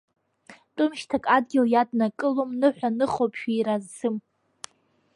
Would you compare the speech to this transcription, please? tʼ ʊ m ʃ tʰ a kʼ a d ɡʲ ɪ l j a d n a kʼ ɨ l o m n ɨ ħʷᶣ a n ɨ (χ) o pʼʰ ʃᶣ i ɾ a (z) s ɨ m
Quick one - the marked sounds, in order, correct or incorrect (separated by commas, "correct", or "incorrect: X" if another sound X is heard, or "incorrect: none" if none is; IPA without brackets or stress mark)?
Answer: correct, correct